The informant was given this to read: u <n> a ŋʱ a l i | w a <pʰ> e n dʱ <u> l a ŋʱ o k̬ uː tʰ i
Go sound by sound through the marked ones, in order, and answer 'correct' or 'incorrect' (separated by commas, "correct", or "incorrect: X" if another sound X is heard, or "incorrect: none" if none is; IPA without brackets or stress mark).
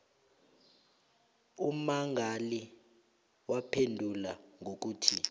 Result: incorrect: m, correct, correct